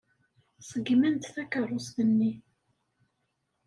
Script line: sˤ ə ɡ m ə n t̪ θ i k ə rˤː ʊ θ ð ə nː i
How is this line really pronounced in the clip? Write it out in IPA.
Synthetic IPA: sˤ ə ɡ m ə n t̪ θ æ k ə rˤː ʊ s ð ə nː i